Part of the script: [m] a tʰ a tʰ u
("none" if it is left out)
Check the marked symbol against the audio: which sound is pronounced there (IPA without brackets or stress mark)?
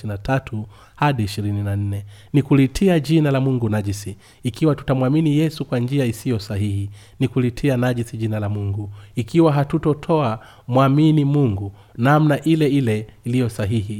n